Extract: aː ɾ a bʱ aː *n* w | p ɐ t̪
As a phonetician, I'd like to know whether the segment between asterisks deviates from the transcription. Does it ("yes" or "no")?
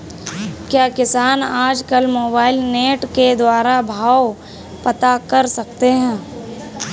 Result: yes